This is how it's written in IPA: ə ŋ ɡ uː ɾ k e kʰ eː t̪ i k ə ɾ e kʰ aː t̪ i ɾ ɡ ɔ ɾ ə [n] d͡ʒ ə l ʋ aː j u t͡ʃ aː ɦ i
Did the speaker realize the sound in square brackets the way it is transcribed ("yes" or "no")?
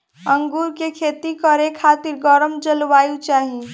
no